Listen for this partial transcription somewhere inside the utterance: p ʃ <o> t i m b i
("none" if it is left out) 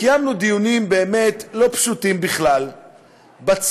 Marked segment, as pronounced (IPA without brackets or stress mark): u